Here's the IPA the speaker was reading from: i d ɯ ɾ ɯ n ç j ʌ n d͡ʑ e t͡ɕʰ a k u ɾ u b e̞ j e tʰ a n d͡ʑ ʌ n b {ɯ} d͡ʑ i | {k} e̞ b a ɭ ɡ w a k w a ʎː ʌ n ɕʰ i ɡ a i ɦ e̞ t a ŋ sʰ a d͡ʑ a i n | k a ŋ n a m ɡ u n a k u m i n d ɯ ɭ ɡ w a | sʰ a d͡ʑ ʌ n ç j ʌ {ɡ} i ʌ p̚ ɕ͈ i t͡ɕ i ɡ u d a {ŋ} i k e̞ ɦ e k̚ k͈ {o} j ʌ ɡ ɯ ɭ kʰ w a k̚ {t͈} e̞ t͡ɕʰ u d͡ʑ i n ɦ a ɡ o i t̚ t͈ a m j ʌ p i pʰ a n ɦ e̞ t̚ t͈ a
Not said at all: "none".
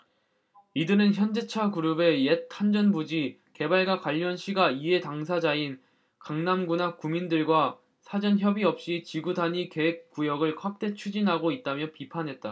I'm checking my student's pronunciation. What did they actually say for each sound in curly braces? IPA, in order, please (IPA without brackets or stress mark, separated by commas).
u, k, b, ɲ, u, t͈